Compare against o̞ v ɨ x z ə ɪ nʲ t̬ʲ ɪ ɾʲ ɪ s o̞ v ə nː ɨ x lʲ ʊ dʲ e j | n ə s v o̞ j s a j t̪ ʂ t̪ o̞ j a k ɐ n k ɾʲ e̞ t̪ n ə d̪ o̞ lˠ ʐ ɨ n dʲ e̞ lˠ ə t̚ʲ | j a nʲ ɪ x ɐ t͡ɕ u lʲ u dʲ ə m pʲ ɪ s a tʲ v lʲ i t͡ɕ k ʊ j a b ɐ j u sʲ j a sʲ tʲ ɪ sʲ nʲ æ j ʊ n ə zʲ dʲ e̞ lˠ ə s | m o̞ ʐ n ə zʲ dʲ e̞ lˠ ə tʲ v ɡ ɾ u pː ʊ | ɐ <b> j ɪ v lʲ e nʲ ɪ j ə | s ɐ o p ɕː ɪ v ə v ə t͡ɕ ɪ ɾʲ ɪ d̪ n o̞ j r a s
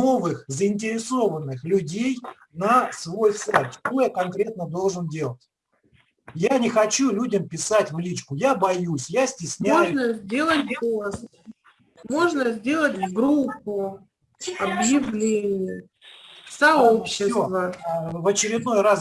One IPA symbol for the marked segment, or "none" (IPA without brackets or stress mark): b